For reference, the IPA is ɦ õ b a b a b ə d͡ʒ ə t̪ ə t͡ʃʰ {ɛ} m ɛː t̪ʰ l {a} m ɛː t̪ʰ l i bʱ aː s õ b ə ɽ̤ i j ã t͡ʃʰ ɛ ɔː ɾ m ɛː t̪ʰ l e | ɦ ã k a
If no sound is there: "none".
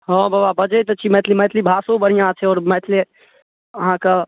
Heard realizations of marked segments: i, i

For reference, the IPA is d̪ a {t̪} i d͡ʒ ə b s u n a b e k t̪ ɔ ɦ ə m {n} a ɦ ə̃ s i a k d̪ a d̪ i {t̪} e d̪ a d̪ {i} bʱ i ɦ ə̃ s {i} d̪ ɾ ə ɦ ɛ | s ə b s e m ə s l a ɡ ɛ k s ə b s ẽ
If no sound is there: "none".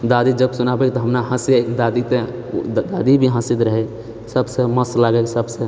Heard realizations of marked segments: d̪, n, t̪, i, i

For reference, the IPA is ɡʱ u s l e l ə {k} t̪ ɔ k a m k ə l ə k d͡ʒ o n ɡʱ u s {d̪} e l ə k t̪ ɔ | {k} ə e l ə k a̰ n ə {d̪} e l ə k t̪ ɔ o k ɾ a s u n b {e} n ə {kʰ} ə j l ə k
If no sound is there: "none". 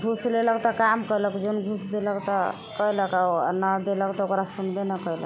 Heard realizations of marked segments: k, d̪, k, d̪, e, k

